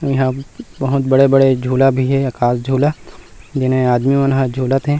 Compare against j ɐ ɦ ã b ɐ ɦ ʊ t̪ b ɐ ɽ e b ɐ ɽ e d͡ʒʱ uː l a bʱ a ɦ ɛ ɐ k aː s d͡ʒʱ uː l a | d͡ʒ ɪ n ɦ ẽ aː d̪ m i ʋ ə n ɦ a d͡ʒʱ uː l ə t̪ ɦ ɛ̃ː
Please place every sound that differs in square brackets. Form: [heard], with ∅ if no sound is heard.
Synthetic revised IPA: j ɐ ɦ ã b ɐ ɦ ʊ t̪ b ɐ ɽ e b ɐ ɽ e d͡ʒʱ uː l a bʱ [i] ɦ ɛ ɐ k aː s d͡ʒʱ uː l a | d͡ʒ ɪ n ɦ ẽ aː d̪ m i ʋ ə n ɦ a d͡ʒʱ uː l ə t̪ ɦ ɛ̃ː